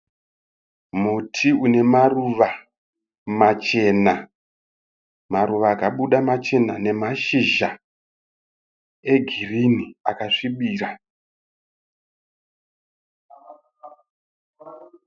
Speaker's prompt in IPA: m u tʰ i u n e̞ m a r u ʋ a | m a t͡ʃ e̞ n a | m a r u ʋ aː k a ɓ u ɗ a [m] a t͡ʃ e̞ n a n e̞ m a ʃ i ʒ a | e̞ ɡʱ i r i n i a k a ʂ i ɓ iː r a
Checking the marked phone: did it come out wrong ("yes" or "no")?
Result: no